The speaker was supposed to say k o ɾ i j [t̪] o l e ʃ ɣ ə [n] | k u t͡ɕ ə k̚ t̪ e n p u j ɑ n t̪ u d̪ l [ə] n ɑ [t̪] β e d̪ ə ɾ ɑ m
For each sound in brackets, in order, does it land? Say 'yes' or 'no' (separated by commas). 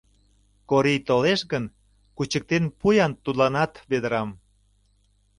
yes, yes, no, yes